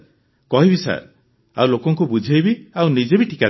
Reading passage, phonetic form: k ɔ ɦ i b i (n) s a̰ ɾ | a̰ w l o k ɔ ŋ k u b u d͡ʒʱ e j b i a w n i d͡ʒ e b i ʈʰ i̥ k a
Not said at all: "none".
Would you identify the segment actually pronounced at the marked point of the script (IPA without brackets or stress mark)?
none